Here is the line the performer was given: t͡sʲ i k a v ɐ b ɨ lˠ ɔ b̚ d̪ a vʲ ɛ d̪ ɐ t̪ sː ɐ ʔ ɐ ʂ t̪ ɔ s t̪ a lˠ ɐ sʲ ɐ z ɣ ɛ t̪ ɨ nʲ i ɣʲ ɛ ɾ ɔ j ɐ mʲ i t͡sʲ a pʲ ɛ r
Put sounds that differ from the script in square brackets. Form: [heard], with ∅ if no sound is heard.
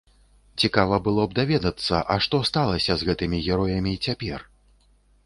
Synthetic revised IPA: t͡sʲ i k a v ɐ b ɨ lˠ ɔ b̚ d̪ a vʲ ɛ d̪ ɐ t̪ sː ɐ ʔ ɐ ʂ t̪ ɔ s t̪ a lˠ ɐ sʲ ɐ z ɣ ɛ t̪ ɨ [mʲ] i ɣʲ ɛ ɾ ɔ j ɐ mʲ i t͡sʲ a pʲ ɛ r

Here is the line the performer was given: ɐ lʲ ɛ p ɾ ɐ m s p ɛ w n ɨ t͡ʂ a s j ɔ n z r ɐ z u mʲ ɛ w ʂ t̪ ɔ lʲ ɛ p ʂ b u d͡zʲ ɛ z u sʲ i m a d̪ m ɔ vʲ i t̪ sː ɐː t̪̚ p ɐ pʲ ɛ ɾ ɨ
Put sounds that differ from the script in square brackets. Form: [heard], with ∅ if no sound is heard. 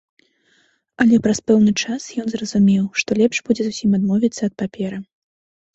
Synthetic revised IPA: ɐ lʲ ɛ p ɾ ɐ [∅] s p ɛ w n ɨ t͡ʂ a s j ɔ n z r ɐ z u mʲ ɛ w ʂ t̪ ɔ lʲ ɛ p ʂ b u d͡zʲ ɛ z u sʲ i m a d̪ m ɔ vʲ i t̪ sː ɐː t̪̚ p [a] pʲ ɛ ɾ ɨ

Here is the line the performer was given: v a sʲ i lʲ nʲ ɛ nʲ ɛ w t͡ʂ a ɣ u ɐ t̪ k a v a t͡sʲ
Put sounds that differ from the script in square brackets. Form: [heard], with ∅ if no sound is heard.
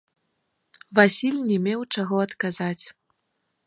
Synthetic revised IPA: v a sʲ i lʲ nʲ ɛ [mʲ] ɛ w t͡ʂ a ɣ [ɔ] ɐ t̪ k a [z] a t͡sʲ

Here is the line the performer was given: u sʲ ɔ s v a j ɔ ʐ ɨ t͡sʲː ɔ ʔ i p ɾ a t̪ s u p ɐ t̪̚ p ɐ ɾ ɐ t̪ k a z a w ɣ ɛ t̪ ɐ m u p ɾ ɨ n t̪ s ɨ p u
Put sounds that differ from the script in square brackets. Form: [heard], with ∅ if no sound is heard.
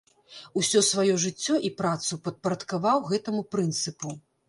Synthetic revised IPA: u sʲ ɔ s v a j ɔ ʐ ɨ t͡sʲː ɔ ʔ i p ɾ a t̪ s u p ɐ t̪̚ p ɐ ɾ ɐ t̪ k a [v] a w ɣ ɛ t̪ ɐ m u p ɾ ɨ n t̪ s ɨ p u

